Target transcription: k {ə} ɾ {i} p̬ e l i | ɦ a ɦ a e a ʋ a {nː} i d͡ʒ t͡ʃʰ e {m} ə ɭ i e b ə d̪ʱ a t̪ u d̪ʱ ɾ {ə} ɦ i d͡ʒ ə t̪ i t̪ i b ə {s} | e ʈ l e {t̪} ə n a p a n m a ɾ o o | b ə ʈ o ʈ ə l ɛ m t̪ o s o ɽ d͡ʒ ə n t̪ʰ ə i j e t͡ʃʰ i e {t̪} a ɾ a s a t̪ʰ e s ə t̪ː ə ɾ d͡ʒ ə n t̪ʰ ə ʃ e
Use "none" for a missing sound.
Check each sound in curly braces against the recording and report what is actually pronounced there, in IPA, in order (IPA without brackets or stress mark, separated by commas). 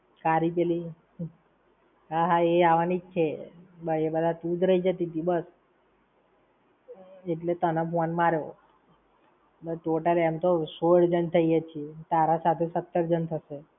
a, i, n, b, ə, s, t̪, t̪